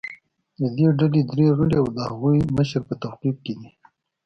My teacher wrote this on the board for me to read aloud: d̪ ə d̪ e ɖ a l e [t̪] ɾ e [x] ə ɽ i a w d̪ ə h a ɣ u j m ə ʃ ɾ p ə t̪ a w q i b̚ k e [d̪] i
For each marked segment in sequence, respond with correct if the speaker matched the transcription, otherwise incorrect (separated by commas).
incorrect, incorrect, correct